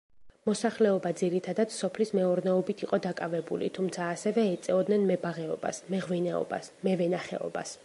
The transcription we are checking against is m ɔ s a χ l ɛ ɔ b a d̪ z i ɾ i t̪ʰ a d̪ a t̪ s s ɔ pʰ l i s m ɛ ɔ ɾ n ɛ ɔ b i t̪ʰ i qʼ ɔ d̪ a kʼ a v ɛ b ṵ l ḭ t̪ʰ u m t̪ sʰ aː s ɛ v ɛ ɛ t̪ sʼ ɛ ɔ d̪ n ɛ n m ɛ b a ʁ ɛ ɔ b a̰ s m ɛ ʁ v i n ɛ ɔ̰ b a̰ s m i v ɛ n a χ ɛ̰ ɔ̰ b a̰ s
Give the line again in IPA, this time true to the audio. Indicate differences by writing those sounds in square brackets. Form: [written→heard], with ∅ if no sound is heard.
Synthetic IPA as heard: m ɔ s a χ l ɛ ɔ b a d̪ z i ɾ i t̪ʰ a d̪ a t̪ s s ɔ pʰ l i s m ɛ ɔ ɾ n ɛ ɔ b i t̪ʰ i qʼ ɔ d̪ a kʼ a v ɛ b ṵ l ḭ t̪ʰ u m t̪ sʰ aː s ɛ v ɛ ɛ t̪ sʼ ɛ ɔ d̪ n ɛ n m ɛ b a ʁ ɛ ɔ b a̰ s m ɛ ʁ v i n ɛ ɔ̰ b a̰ s m [i→ɛ] v ɛ n a χ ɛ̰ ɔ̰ b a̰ s

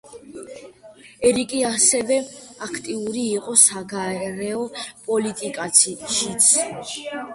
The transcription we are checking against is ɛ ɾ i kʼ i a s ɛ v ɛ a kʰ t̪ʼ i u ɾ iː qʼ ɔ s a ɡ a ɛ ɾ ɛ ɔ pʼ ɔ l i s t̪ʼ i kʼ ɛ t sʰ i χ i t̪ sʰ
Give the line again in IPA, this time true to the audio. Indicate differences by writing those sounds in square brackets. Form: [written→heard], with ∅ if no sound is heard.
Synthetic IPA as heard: ɛ ɾ i kʼ i a s ɛ v ɛ a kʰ t̪ʼ i u ɾ iː qʼ ɔ s a ɡ a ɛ ɾ ɛ ɔ pʼ ɔ l i [s→∅] t̪ʼ i kʼ [ɛ→a] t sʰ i [χ→ʃ] i t̪ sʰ

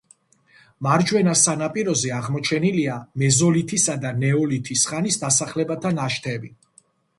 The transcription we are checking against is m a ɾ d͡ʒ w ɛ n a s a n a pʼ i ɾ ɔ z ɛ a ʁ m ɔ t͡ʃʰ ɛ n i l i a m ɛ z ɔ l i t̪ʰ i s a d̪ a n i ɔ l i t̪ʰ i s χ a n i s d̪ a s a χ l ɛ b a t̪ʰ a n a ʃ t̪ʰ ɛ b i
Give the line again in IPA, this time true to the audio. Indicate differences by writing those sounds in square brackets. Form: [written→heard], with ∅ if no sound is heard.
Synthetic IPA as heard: m a ɾ d͡ʒ w ɛ n a s a n a pʼ i ɾ ɔ z ɛ a ʁ m ɔ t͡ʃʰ ɛ n i l i a m ɛ z ɔ l i t̪ʰ i s a d̪ a n [i→ɛ] ɔ l i t̪ʰ i s χ a n i s d̪ a s a χ l ɛ b a t̪ʰ a n a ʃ t̪ʰ ɛ b i

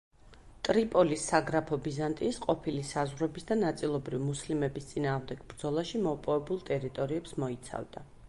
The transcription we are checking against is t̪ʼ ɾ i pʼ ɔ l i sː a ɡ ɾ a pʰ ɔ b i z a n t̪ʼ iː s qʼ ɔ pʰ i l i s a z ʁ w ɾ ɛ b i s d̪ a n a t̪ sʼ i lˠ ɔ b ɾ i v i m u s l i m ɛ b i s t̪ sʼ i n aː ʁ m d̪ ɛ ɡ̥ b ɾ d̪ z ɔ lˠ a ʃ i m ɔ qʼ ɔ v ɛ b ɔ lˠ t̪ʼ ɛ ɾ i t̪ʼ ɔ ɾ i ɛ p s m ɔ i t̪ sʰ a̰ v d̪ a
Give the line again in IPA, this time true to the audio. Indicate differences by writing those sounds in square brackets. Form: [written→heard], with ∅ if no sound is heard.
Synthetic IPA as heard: t̪ʼ ɾ i pʼ ɔ l i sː a ɡ ɾ a pʰ ɔ b i z a n t̪ʼ iː s qʼ ɔ pʰ i l i s a z ʁ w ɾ ɛ b i s d̪ a n a t̪ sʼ i lˠ ɔ b ɾ i v i m u s l i m ɛ b i s t̪ sʼ i n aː ʁ m d̪ ɛ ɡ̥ b ɾ d̪ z ɔ lˠ a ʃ i m ɔ [qʼ→pʼ] ɔ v ɛ b [ɔ→u] lˠ t̪ʼ ɛ ɾ i t̪ʼ ɔ ɾ i ɛ p s m ɔ i t̪ sʰ a̰ v d̪ a

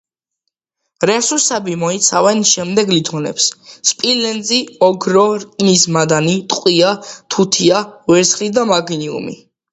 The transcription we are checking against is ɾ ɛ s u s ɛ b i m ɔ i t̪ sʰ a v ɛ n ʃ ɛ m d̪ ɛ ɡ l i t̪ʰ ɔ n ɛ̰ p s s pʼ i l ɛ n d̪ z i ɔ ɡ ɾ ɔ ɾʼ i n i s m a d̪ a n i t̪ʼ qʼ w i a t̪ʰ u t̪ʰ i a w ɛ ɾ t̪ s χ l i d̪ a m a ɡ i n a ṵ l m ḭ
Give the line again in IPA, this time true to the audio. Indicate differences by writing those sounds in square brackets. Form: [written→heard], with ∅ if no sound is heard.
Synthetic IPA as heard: ɾ ɛ s u s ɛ b i m ɔ i t̪ sʰ a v ɛ n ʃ ɛ m d̪ ɛ ɡ l i t̪ʰ ɔ n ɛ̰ p s s pʼ i l ɛ n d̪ z i ɔ ɡ ɾ ɔ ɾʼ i n i s m a d̪ a n i t̪ʼ qʼ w i a t̪ʰ u t̪ʰ i a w ɛ ɾ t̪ s χ l i d̪ a m a ɡ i n [a→i] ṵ [l→∅] m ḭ

